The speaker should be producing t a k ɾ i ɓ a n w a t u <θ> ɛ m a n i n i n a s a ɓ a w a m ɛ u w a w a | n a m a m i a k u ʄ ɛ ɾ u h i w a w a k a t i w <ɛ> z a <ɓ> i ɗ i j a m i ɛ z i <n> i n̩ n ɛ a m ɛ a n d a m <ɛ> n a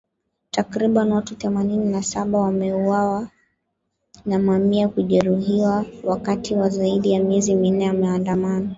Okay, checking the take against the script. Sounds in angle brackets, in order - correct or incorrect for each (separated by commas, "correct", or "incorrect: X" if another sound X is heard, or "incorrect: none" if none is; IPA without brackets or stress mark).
correct, incorrect: a, incorrect: none, incorrect: m, incorrect: a